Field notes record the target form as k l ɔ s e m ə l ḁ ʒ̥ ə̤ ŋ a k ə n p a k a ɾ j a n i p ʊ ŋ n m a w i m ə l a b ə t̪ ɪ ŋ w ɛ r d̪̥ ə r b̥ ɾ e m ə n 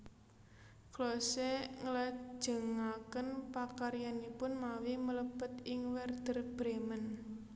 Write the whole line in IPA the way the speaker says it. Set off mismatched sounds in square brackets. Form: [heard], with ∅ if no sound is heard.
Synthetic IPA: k l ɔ s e [ŋ] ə l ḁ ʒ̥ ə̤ ŋ a k ə n p a k a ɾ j a n i p ʊ [∅] n m a w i m ə l [ə] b ə t̪ ɪ ŋ w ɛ r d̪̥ ə r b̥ ɾ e m ə n

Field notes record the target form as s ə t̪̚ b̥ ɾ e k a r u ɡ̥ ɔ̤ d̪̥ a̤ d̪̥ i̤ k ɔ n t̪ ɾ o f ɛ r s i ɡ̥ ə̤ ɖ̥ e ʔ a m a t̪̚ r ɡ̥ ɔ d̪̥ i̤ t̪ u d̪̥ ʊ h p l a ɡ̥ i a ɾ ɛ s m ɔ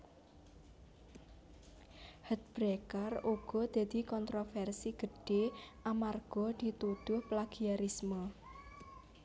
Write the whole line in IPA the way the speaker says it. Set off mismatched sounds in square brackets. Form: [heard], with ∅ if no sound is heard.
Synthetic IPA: [h] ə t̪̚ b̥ ɾ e k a r u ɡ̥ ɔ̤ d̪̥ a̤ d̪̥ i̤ k ɔ n t̪ ɾ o f ɛ r s i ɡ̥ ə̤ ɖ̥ e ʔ a m a [∅] r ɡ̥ ɔ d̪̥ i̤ t̪ u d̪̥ ʊ h p l a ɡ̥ i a ɾ [i] s m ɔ

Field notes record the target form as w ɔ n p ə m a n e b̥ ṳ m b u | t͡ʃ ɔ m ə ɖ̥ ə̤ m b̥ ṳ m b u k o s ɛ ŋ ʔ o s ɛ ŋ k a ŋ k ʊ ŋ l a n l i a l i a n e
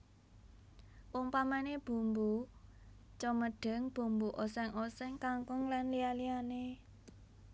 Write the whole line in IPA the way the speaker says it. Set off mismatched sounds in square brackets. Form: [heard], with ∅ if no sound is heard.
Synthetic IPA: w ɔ [ŋ] p [a] m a n e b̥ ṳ m b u | t͡ʃ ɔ m ə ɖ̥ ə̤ [ŋ] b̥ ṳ m b u [ʔ] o s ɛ ŋ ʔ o s ɛ ŋ k a ŋ k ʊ ŋ l a n l i a l i a n e

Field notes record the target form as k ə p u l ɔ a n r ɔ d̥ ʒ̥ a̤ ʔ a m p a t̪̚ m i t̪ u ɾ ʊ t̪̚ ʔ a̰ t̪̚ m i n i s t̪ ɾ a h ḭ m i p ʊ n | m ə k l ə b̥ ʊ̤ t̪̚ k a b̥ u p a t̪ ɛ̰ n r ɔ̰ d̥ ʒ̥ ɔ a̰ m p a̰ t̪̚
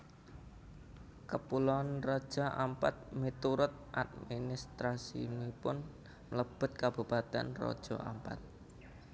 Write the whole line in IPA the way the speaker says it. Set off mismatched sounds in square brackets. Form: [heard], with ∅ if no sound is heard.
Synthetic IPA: k ə p u l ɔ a n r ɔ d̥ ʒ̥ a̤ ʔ a m p a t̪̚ m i t̪ u ɾ ʊ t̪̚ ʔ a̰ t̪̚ m i n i s t̪ ɾ a [s] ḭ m i p ʊ n | m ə [∅] l ə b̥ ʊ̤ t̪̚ k a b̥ u p a t̪ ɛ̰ n r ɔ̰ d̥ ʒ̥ ɔ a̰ m p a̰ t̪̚

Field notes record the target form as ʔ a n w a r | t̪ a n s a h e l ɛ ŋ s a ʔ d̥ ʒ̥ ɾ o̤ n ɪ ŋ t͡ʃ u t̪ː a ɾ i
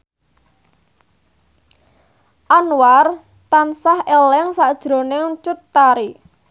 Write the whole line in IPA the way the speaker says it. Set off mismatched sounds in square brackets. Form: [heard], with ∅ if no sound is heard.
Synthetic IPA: ʔ a n w a r | t̪ a n s a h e l ɛ ŋ s a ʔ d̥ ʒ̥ ɾ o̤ n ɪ ŋ t͡ʃ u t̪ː a ɾ i

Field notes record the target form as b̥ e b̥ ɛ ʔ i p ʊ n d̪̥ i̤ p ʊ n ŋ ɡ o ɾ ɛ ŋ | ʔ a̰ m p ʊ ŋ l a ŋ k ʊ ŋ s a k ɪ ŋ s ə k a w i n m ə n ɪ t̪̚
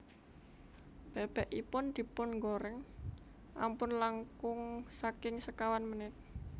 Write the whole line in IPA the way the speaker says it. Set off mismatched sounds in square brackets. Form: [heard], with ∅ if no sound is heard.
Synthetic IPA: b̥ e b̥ ɛ ʔ i p ʊ n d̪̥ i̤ p ʊ n ŋ ɡ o ɾ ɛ ŋ | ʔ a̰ m p ʊ [n] l a ŋ k ʊ ŋ s a k ɪ ŋ s ə k a w [a] n m ə n ɪ t̪̚

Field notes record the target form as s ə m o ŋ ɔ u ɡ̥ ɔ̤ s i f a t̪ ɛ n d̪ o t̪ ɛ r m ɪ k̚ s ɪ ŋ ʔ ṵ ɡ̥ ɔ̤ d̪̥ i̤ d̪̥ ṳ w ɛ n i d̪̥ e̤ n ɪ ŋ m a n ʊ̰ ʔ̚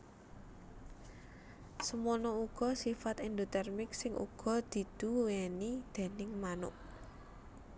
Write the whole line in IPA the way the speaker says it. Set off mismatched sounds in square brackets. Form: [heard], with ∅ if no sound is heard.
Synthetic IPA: s ə m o [n] ɔ u ɡ̥ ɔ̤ s i f a t̪ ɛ n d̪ o t̪ ɛ r m ɪ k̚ s ɪ ŋ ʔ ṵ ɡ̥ ɔ̤ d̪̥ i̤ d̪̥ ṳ w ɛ n i d̪̥ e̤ n ɪ ŋ m a n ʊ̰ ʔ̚

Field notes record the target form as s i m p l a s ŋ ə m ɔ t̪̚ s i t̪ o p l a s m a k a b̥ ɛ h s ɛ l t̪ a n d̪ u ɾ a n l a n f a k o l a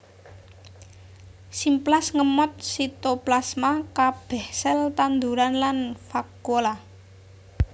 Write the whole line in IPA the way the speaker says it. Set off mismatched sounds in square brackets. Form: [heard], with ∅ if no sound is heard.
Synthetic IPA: s i m p l a s ŋ ə m ɔ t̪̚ s i t̪ o p l a s m a k a b̥ ɛ h s ɛ l t̪ a n d̪ u ɾ a n l a n f a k o l a

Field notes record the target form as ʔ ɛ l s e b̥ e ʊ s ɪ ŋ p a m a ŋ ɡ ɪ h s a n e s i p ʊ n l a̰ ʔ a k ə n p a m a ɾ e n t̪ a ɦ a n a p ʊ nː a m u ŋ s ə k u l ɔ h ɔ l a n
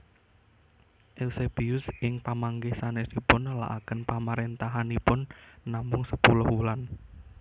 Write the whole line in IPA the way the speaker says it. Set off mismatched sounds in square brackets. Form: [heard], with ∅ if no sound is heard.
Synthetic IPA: ʔ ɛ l s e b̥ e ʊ s ɪ ŋ p a m a ŋ ɡ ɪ h s a n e s i p ʊ n l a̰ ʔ a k ə n p a m a ɾ e n t̪ a ɦ a n [i] p ʊ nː a m [ʊ] ŋ s ə [p] u l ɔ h [u] l a n

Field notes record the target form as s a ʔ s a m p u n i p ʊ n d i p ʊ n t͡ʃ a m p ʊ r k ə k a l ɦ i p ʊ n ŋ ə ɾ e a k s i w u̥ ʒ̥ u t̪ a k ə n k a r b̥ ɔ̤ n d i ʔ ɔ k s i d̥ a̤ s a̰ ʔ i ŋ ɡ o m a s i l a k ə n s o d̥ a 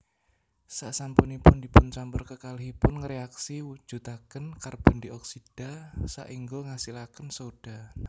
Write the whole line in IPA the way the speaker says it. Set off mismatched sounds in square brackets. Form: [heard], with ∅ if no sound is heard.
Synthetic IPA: s a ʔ s a m p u n i p ʊ n d i p ʊ n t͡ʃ a m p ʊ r k ə k a l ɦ i p ʊ n ŋ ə ɾ e a k s i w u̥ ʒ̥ u t̪ a k ə n k a r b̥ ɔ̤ n d i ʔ ɔ k s i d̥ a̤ s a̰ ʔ i ŋ ɡ o [ŋ] a s i l a k ə n s o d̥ a

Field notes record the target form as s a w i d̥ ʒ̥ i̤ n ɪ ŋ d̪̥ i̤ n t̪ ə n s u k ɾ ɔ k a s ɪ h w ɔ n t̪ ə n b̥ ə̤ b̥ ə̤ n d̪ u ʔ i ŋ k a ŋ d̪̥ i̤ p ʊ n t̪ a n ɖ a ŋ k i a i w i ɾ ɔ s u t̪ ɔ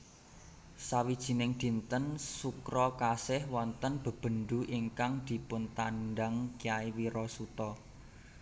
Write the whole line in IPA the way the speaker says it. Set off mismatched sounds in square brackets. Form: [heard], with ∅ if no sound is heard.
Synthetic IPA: s a w i d̥ ʒ̥ i̤ n ɪ ŋ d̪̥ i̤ n t̪ ə n s u k ɾ ɔ k a s ɪ h w ɔ n t̪ ə n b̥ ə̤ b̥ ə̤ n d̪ u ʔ i ŋ k a ŋ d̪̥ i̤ p ʊ n t̪ a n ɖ a ŋ k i a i w i ɾ ɔ s u t̪ ɔ

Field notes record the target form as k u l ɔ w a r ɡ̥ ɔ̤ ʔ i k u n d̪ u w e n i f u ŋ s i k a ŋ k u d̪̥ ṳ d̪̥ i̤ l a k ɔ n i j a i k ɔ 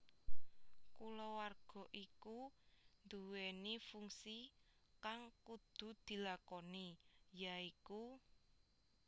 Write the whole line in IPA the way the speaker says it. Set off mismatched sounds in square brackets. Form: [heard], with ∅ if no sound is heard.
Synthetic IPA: k u l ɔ w a r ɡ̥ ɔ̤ ʔ i k u n d̪ u w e n i f u ŋ s i k a ŋ k u d̪̥ ṳ d̪̥ i̤ l a k ɔ n i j a i k [u]

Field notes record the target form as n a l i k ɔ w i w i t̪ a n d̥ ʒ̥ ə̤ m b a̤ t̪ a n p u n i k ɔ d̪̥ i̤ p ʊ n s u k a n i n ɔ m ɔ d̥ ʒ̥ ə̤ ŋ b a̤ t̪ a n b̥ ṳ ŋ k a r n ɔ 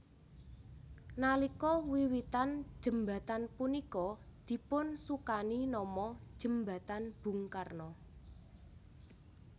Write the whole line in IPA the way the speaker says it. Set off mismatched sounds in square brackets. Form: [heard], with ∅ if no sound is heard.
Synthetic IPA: n a l i k ɔ w i w i t̪ a n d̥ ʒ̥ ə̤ m b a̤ t̪ a n p u n i k ɔ d̪̥ i̤ p ʊ n s u k a n i n ɔ m ɔ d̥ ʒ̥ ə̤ [m] b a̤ t̪ a n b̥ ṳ ŋ k a r n ɔ

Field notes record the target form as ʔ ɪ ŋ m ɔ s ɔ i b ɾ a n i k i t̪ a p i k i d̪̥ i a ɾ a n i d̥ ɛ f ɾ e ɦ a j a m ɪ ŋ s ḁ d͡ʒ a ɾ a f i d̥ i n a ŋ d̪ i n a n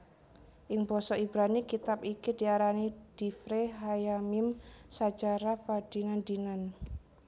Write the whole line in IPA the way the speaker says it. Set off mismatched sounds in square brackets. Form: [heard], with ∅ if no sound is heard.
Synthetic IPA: ʔ ɪ ŋ [b] ɔ s ɔ i b ɾ a n i k i t̪ a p i k i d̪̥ i a ɾ a n i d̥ [i] f ɾ e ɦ a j a m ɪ [m] s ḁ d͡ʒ a ɾ a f [a] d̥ i n a [n] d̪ i n a n

